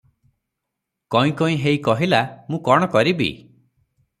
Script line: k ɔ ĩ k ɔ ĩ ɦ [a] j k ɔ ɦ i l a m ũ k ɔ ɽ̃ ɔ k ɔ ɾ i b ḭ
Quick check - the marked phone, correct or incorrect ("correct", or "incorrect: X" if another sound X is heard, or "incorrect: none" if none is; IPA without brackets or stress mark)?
incorrect: e